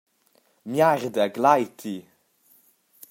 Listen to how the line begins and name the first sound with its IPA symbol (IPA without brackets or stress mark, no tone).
m